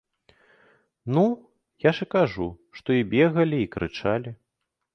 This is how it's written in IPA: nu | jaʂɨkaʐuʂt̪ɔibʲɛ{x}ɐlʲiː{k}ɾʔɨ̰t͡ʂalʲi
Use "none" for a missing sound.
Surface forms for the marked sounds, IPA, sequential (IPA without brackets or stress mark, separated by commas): ɣ, k